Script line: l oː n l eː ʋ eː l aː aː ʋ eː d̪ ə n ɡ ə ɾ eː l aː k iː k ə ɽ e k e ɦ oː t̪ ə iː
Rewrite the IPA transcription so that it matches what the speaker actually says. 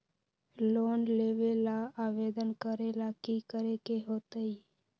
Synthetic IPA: l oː n l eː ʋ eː l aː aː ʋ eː d̪ ə n k ə ɾ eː l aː k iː k ə ɾ e k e ɦ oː t̪ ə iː